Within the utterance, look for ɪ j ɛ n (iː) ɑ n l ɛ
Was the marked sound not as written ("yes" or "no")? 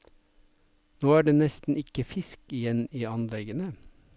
no